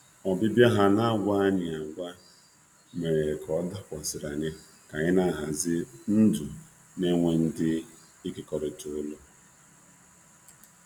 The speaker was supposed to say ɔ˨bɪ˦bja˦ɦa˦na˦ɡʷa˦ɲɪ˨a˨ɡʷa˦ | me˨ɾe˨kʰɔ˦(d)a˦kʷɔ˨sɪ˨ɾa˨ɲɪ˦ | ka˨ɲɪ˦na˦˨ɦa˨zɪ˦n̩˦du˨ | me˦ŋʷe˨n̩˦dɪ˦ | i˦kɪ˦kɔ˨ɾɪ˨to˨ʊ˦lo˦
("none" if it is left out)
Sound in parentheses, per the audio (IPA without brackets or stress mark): d